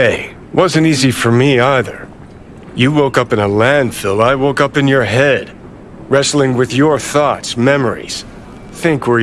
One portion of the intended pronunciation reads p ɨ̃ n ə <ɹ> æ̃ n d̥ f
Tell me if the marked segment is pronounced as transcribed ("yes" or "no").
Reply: no